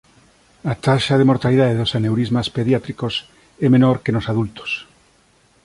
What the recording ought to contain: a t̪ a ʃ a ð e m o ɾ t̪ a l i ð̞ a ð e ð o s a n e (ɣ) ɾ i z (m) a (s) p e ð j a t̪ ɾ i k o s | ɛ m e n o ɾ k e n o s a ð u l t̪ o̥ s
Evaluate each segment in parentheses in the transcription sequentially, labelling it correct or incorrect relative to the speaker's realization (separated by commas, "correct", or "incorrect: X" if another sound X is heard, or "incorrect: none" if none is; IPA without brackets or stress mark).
incorrect: w, correct, correct